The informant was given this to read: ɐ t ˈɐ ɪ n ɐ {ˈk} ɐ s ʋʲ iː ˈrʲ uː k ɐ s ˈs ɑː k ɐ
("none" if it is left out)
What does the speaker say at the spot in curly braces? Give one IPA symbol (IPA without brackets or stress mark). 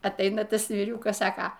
t